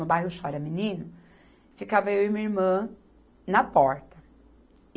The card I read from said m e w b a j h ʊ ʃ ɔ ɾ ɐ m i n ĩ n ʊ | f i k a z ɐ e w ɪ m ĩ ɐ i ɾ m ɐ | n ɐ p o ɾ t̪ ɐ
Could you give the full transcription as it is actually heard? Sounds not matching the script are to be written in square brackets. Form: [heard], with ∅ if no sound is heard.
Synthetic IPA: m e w b a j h ʊ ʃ ɔ ɾ ɐ m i n ĩ n ʊ | f i k a [v] ɐ e w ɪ m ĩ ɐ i ɾ m [ɐ̃] | n ɐ p [ɔ] ɾ t̪ ɐ